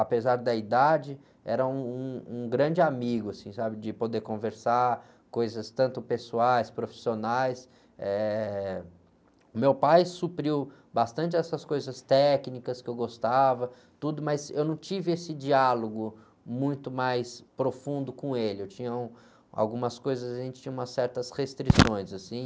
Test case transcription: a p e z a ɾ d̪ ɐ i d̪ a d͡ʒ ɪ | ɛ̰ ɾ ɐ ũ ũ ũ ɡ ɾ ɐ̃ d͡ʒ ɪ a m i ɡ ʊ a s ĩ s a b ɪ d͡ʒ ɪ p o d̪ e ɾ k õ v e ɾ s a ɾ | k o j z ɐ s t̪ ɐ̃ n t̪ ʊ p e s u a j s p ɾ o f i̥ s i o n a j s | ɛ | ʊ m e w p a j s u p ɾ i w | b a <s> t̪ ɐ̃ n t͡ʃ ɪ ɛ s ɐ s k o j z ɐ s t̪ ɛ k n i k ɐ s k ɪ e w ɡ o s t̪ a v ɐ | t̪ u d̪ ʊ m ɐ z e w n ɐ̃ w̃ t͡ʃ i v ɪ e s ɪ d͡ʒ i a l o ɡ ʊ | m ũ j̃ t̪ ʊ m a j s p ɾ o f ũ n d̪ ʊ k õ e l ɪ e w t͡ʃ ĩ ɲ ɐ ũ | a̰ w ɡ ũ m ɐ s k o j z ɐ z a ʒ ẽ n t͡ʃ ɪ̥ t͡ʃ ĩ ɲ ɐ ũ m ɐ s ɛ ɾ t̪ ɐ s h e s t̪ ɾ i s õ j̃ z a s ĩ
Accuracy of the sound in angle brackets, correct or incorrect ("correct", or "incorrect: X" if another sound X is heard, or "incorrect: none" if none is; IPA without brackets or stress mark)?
correct